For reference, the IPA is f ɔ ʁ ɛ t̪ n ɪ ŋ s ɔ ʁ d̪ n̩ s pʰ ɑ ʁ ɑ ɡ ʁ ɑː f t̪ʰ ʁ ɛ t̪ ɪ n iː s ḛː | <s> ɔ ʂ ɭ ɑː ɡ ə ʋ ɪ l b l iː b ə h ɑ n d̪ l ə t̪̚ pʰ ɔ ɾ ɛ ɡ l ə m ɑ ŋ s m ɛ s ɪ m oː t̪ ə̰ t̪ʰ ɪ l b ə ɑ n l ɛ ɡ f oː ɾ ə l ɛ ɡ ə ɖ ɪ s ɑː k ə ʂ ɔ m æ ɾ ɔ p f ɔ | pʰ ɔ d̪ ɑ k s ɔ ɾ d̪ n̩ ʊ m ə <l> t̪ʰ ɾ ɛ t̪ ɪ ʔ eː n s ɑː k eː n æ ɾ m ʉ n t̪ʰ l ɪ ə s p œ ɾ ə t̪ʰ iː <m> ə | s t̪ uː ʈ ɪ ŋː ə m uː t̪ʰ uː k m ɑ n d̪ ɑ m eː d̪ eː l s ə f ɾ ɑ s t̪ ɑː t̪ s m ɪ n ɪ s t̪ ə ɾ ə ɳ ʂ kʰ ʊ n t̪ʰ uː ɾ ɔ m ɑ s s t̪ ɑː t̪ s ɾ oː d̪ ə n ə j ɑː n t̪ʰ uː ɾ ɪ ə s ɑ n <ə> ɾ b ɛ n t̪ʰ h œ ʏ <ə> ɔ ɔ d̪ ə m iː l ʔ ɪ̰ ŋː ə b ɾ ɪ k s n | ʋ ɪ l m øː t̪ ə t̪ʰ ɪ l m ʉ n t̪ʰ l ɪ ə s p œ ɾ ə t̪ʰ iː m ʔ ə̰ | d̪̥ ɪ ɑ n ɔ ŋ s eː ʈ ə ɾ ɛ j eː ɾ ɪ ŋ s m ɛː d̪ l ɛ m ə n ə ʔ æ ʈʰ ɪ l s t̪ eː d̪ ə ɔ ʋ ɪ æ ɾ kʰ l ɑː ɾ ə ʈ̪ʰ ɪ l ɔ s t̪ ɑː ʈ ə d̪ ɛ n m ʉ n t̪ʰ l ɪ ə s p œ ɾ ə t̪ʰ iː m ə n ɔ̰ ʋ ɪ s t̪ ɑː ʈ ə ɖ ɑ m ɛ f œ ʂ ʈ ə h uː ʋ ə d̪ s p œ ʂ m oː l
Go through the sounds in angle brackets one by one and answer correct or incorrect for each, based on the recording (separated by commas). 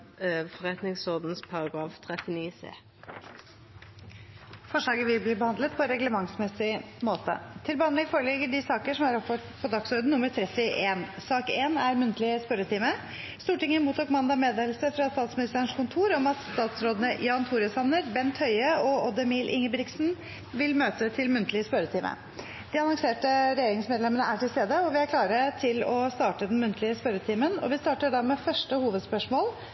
incorrect, incorrect, correct, correct, correct